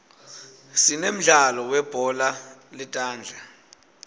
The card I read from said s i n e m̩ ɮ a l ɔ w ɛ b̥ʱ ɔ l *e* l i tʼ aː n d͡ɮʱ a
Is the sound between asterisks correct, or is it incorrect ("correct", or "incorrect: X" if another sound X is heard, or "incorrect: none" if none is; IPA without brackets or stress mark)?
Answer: incorrect: a